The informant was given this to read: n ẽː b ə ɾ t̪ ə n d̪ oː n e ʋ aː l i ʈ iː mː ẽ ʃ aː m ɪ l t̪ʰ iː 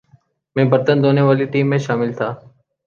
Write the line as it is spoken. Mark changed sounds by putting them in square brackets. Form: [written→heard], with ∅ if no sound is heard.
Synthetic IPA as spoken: [n→m] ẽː b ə ɾ t̪ ə n d̪ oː n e ʋ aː l i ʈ iː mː ẽ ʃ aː m ɪ l t̪ʰ [iː→aː]